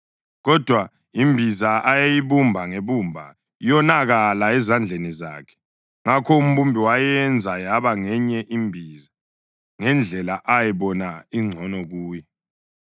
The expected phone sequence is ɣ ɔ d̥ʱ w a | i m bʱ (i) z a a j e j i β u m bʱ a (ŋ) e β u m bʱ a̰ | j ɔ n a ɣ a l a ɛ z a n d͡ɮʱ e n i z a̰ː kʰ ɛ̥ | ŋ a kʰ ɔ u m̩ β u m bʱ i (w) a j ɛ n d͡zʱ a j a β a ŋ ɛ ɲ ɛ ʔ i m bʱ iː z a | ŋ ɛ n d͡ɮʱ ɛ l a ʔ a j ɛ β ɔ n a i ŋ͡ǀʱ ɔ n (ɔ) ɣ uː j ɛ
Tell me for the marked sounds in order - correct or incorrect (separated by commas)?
correct, correct, correct, correct